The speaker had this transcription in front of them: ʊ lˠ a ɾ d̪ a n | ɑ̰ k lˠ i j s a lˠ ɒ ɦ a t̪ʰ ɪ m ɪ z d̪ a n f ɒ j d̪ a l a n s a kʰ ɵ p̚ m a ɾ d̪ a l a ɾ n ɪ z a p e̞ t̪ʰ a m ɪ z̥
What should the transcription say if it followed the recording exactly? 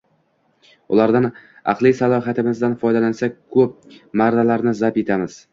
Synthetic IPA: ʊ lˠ a ɾ d̪ a n | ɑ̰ q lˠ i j s a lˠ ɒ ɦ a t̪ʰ ɪ m ɪ z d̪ a n f ɒ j d̪ a l a n s a kʰ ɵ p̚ m a ɾ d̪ a l a ɾ n ɪ z a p e̞ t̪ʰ a m ɪ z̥